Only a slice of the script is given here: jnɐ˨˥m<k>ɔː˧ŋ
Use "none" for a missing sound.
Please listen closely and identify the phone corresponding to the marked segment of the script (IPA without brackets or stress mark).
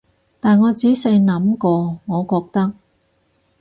k